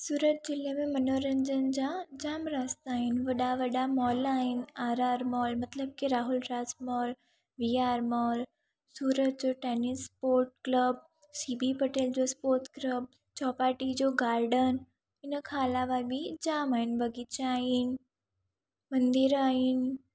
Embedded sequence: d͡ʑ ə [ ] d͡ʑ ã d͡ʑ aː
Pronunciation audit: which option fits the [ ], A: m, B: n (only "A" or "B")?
B